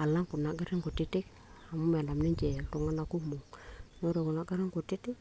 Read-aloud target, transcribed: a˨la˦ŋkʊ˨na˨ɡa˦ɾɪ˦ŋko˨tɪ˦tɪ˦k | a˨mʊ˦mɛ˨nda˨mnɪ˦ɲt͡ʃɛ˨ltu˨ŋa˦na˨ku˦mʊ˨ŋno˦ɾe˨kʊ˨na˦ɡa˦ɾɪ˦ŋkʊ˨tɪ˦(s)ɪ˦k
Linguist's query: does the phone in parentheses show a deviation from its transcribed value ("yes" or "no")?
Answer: yes